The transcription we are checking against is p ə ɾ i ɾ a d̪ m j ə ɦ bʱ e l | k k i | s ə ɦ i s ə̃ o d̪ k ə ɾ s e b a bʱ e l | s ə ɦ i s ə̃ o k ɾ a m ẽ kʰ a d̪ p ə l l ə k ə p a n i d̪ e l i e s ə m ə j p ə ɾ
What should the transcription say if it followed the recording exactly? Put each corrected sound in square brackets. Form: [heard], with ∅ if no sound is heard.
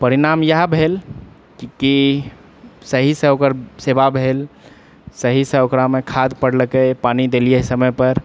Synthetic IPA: p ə ɾ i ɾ a [∅] m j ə ɦ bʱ e l | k k i | s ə ɦ i s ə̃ o [∅] k ə ɾ s e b a bʱ e l | s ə ɦ i s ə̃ o k ɾ a m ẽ kʰ a d̪ p ə [ɽ] l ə k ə p a n i d̪ e l i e s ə m ə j p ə ɾ